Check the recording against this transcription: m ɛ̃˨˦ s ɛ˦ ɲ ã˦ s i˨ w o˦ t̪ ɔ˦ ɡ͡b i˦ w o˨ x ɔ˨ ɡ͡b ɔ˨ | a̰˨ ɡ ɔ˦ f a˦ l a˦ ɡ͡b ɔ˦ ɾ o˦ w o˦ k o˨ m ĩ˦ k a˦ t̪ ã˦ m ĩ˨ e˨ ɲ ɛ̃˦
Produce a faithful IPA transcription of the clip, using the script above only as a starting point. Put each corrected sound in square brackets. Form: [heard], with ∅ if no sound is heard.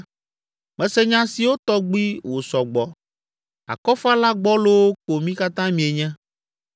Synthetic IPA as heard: m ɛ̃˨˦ s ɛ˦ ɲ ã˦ s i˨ w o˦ t̪ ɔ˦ ɡ͡b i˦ w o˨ [s] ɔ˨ ɡ͡b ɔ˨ | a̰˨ [k] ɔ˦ f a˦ l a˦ ɡ͡b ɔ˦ [l] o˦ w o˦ k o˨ m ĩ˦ k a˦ t̪ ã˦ m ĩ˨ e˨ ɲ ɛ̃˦